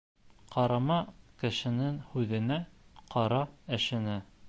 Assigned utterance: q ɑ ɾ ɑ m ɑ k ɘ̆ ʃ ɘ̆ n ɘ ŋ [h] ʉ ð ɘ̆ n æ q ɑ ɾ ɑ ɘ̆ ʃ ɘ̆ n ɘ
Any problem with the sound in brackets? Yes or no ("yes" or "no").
no